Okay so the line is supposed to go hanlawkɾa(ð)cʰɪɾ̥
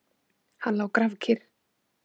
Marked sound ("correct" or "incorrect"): incorrect